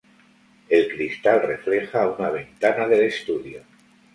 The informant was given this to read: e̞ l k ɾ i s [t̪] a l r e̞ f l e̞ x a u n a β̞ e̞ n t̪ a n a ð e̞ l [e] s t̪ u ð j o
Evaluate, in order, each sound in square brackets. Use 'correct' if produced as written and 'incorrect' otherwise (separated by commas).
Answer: correct, correct